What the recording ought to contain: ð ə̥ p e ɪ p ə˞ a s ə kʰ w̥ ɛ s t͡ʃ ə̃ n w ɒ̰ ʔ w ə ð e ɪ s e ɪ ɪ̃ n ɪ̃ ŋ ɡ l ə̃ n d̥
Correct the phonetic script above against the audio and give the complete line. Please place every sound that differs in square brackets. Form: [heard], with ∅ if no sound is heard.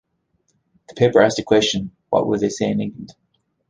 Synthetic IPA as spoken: ð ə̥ [pʰ] e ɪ p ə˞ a s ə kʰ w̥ ɛ s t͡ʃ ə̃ n w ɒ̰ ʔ w ə ð e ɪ s e ɪ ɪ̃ n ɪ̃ ŋ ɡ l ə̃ n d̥